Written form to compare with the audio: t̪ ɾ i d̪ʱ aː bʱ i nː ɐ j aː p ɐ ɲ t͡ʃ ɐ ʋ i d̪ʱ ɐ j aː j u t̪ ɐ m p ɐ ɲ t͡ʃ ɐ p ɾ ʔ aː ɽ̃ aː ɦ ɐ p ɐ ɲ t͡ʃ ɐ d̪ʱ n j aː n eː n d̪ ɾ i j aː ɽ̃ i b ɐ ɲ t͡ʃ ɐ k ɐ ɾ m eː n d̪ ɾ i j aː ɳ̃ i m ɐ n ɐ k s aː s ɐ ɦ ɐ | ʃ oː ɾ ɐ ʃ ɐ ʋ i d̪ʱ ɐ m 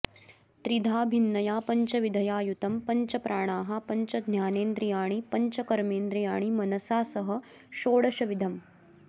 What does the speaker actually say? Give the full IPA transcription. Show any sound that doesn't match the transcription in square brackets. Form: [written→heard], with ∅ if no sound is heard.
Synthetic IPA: t̪ ɾ i d̪ʱ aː bʱ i nː ɐ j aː p ɐ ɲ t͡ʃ ɐ ʋ i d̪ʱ ɐ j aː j u t̪ ɐ m p ɐ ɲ t͡ʃ ɐ p ɾ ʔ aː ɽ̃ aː ɦ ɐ p ɐ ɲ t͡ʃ ɐ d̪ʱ n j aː n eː n d̪ ɾ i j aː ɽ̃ i [b→p] ɐ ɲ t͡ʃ ɐ k ɐ ɾ m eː n d̪ ɾ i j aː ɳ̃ i m ɐ n ɐ [k→∅] s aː s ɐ ɦ ɐ | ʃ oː [ɾ→ɽ] ɐ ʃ ɐ ʋ i d̪ʱ ɐ m